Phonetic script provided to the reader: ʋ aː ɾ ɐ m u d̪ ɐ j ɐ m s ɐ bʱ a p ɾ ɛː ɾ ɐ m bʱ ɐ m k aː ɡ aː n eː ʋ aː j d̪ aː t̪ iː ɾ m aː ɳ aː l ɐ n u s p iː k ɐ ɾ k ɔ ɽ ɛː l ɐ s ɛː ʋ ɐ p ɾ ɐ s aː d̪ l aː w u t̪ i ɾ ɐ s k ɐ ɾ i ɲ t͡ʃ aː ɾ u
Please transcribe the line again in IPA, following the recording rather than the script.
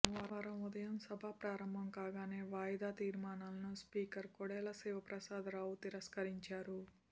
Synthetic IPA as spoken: ʋ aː ɾ ɐ m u d̪ ɐ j ɐ m s ɐ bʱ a p ɾ aː ɾ ɐ m bʱ ɐ m k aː ɡ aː n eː ʋ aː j d̪ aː t̪ iː ɾ m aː n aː l ɐ n u s p iː k ɐ ɾ k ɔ ɽ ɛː l ɐ s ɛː ʋ ɐ p ɾ ɐ s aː d̪ ɾ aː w u t̪ i ɾ ɐ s k ɐ ɾ i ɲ t͡ʃ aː ɾ u